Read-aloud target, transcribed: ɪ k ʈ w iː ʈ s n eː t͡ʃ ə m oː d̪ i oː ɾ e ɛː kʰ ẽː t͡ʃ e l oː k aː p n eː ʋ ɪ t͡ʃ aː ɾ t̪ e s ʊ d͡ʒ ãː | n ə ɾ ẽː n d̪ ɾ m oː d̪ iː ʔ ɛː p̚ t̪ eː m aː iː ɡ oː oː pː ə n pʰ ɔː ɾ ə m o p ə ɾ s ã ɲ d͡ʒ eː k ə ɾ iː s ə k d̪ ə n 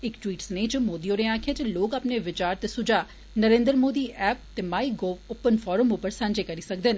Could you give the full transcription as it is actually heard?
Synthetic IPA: ɪ k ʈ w iː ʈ s n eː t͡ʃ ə m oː d̪ i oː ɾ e aː kʰ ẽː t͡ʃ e l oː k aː p n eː ʋ ɪ t͡ʃ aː ɾ t̪ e s ʊ d͡ʒ aː | n ə ɾ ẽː n d̪ ɾ m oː d̪ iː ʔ ɛː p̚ t̪ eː m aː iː ɡ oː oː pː ə n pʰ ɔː ɾ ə m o p ə ɾ s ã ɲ d͡ʒ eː k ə ɾ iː s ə k d̪ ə n